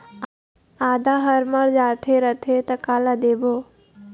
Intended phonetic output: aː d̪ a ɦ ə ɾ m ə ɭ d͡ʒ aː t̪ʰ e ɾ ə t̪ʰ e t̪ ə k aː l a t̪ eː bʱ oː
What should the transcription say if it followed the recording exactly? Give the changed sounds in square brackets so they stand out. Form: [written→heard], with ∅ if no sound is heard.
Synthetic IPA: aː d̪ a ɦ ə ɾ m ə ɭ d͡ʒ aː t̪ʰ e ɾ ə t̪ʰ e t̪ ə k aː l a [t̪→d̪] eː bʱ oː